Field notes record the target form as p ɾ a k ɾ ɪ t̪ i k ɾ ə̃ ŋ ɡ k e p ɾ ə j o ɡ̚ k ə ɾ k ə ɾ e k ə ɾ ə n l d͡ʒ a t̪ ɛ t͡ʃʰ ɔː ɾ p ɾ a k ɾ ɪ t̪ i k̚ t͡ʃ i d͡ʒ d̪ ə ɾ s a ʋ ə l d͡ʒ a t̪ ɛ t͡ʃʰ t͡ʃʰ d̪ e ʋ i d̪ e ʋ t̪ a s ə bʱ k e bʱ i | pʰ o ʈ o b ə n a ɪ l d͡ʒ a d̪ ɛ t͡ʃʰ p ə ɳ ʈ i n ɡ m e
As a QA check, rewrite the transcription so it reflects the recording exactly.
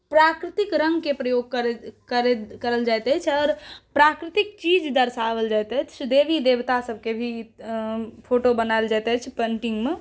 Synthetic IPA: p ɾ a k ɾ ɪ t̪ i k ɾ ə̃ ŋ ɡ k e p ɾ ə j o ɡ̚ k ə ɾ k ə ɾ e k ə ɾ ə l d͡ʒ a t̪ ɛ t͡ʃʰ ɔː ɾ p ɾ a k ɾ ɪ t̪ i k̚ t͡ʃ i d͡ʒ d̪ ə ɾ s a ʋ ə l d͡ʒ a t̪ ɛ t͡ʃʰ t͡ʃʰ d̪ e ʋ i d̪ e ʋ t̪ a s ə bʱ k e bʱ i | pʰ o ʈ o b ə n a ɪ l d͡ʒ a t̪ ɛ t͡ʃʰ p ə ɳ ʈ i ŋ ɡ m e